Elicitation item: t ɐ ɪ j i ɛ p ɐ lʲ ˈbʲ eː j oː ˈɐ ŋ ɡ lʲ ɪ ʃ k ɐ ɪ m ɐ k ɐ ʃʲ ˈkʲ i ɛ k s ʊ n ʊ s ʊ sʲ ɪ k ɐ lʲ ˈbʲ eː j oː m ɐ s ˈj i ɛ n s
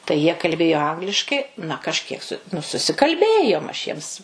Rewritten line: t ɐ ɪ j i ɛ k ɐ lʲ ˈbʲ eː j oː ˈɐ ŋ ɡ lʲ ɪ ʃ k ɐ ɪ n ɐ k ɐ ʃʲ ˈkʲ i ɛ k s ʊ n ʊ s ʊ sʲ ɪ k ɐ lʲ ˈbʲ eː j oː m ɐ ʃ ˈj i ɛ m s